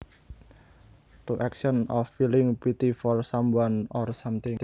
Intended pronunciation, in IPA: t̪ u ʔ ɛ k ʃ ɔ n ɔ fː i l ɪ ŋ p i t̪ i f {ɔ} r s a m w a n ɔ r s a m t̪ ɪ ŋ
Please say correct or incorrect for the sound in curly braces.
correct